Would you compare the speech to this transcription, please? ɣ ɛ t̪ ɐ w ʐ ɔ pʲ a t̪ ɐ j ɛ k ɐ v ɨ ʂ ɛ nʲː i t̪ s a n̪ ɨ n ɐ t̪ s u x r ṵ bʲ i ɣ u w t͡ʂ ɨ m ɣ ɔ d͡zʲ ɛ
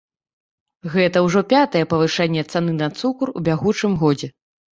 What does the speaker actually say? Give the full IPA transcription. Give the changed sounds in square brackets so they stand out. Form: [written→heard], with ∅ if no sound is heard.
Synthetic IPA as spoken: ɣ ɛ t̪ ɐ w ʐ ɔ pʲ a t̪ ɐ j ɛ [k→p] ɐ v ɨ ʂ ɛ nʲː [i→ɛ] t̪ s a n̪ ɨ n ɐ t̪ s u [x→k] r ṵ bʲ [i→a] ɣ u [w→∅] t͡ʂ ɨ m ɣ ɔ d͡zʲ ɛ

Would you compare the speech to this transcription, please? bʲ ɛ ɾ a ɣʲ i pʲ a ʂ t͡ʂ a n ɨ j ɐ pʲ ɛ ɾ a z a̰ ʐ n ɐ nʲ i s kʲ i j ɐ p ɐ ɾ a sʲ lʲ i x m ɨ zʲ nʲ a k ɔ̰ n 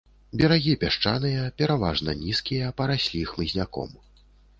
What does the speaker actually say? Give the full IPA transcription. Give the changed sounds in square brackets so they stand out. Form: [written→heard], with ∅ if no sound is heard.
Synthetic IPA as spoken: bʲ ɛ ɾ a ɣʲ i pʲ a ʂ t͡ʂ a n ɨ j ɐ pʲ ɛ ɾ a [z→v] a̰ ʐ n ɐ nʲ i s kʲ i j ɐ p ɐ ɾ a sʲ lʲ i x m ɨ zʲ nʲ a k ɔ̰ [n→m]

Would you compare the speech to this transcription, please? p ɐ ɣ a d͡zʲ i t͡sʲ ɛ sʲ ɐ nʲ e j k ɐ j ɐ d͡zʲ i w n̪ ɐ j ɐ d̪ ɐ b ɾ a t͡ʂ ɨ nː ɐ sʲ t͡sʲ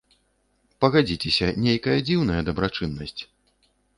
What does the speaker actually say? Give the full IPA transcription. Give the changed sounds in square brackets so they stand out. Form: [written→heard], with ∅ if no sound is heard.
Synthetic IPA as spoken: p ɐ ɣ a d͡zʲ i t͡sʲ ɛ sʲ ɐ nʲ e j k ɐ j ɐ d͡zʲ i w n̪ ɐ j ɐ d̪ ɐ b ɾ a t͡ʂ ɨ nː ɐ sʲ t͡sʲ

